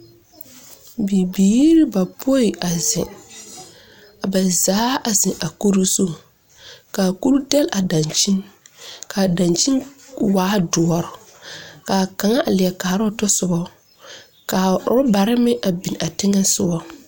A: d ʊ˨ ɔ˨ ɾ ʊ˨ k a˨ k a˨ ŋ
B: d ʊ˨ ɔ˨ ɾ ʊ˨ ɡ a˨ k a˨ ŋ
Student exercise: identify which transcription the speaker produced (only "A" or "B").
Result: A